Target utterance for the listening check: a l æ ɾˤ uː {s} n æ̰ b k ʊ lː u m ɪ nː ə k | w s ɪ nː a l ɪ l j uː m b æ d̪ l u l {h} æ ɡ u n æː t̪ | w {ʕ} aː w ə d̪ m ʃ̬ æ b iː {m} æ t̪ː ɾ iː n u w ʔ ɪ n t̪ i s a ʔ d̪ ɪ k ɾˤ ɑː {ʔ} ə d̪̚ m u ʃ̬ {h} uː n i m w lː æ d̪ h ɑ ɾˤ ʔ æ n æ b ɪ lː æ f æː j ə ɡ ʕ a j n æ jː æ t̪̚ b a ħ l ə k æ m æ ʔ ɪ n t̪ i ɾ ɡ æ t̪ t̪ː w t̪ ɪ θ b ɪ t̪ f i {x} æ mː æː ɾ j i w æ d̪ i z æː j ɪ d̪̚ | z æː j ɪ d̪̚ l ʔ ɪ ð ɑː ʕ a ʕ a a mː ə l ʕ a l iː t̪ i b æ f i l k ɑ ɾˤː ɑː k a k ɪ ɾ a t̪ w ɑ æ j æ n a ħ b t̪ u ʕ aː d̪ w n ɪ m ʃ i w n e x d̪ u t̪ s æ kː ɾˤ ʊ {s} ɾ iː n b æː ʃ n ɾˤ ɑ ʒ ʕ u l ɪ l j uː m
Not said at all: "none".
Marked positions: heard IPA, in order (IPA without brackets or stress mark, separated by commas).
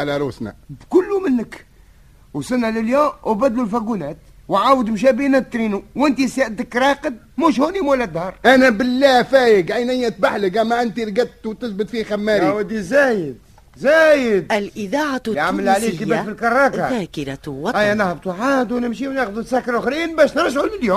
s, f, ʕ, n, q, h, x, x